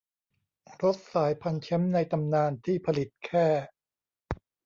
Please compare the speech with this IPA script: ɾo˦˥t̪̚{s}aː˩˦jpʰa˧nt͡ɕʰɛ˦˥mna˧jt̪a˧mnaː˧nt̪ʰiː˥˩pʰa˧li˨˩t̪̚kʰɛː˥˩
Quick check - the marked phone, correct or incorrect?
correct